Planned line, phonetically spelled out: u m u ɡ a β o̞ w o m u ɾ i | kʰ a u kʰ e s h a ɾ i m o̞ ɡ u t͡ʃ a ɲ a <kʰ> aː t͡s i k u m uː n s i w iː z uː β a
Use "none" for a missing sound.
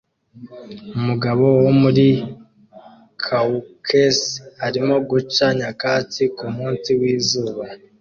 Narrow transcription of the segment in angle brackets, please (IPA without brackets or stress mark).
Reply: k